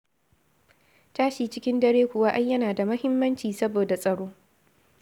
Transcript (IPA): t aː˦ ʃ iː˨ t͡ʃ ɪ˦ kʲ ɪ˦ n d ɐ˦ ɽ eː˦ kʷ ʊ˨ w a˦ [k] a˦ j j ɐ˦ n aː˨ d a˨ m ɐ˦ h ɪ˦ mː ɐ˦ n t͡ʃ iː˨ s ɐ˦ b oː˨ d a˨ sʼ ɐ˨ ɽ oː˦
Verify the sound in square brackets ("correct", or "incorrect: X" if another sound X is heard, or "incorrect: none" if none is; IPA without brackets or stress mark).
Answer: incorrect: ʔ